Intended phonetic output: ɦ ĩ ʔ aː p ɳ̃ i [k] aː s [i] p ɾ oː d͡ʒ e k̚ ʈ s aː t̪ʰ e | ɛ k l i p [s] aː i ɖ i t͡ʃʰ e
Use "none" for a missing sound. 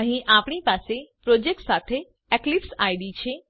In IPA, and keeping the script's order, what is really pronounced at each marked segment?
p, e, s

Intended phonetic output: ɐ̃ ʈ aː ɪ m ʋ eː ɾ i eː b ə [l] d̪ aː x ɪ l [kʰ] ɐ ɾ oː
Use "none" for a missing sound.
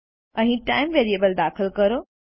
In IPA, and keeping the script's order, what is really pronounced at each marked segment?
l, k

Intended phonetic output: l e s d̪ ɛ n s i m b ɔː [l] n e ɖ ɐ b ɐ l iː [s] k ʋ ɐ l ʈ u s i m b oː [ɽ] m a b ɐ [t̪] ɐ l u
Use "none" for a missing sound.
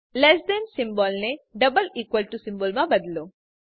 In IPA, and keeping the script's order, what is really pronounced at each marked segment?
l, none, l, d̪

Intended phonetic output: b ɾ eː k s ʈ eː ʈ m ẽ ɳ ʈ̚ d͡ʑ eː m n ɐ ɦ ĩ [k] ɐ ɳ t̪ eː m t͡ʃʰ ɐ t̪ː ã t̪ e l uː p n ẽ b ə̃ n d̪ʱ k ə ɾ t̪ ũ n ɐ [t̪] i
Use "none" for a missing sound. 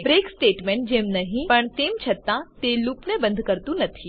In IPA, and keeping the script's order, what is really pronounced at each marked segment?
p, t̪ʰ

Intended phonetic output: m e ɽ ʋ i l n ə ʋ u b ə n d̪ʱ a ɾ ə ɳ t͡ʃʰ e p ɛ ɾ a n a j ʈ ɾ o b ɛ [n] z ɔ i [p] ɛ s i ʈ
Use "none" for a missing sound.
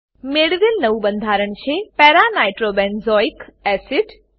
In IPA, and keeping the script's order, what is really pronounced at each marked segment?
n, k

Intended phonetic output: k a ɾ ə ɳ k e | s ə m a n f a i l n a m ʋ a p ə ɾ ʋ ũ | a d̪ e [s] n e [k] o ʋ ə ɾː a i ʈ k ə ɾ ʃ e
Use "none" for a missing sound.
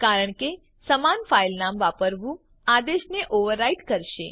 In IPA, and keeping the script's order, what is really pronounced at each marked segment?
ʃ, ʔ

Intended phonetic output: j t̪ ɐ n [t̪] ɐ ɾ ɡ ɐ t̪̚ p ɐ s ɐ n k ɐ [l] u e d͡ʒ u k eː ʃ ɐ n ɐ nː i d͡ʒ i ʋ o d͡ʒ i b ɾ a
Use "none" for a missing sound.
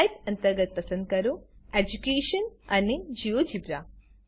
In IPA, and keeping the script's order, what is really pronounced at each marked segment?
t̪, ɾ

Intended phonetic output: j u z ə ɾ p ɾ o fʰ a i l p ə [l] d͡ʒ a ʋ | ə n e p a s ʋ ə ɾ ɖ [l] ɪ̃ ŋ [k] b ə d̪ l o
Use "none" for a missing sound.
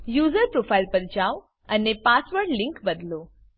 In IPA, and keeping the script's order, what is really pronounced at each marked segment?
ɾ, l, k

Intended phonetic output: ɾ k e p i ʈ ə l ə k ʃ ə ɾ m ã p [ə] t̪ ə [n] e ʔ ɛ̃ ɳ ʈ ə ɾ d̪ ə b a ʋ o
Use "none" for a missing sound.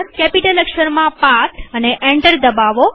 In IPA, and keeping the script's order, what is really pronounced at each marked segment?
a, n

